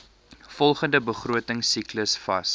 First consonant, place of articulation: labial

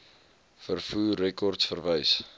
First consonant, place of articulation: labial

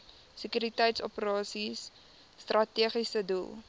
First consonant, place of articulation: alveolar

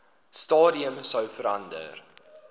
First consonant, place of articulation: alveolar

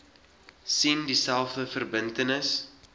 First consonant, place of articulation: alveolar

